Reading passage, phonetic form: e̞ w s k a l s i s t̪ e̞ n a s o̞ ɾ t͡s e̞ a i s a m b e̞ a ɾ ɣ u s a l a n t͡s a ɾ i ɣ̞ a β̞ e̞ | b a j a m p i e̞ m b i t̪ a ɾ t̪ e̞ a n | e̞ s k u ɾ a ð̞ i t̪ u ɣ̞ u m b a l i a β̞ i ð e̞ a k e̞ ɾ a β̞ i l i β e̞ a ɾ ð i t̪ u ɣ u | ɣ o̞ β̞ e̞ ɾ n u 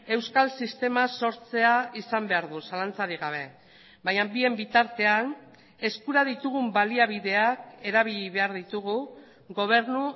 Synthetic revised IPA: e̞ w s k a l s i s t̪ e̞ m a s o̞ ɾ t͡s e̞ a i s a m b e̞ a ɾ ð u s a l a n t͡s a ɾ i ɣ̞ a β̞ e̞ | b a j a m b i e̞ m b i t̪ a ɾ t̪ e̞ a n | e̞ s k u ɾ a ð̞ i t̪ u ɣ̞ u m b a l i a β̞ i ð e̞ a k e̞ ɾ a β̞ i ʎ i β e̞ a ɾ ð i t̪ u ɣ u | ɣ o̞ β̞ e̞ ɾ n u